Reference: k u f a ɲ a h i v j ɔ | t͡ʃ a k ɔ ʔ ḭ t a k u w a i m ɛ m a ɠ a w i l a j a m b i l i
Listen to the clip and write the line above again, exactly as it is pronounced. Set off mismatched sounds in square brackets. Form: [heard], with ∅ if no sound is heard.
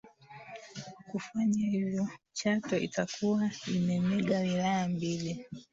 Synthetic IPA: k u f a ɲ a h i v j ɔ | t͡ʃ a [t] ɔ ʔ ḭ t a k u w a i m ɛ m [ɛ] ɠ a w i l a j a m b i l i